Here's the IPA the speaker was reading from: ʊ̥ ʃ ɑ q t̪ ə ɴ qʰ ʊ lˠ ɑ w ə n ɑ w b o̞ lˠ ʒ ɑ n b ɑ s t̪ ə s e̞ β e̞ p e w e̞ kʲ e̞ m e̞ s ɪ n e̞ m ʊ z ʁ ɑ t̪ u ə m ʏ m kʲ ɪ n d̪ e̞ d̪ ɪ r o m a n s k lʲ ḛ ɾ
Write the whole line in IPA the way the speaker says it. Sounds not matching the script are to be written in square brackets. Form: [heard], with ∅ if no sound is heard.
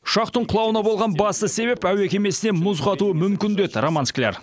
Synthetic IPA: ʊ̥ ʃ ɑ q t̪ ə ɴ qʰ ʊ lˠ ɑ w ə n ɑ [∅] b o̞ lˠ [ʁ] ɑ n b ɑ s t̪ ə s e̞ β e̞ p [æ] w e̞ kʲ e̞ m e̞ s ɪ n e̞ m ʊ z ʁ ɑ t̪ u ə m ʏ m kʲ ɪ n d̪ e̞ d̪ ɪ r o m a n s k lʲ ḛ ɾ